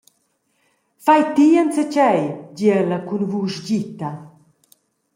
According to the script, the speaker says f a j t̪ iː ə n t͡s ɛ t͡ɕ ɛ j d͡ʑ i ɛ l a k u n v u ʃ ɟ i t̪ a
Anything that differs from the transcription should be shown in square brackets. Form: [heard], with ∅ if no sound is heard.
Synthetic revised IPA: f a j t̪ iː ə n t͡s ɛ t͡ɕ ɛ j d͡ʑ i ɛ l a k u n v u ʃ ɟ i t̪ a